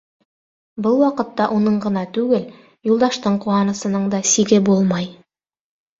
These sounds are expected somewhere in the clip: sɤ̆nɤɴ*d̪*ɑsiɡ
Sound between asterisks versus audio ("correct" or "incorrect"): correct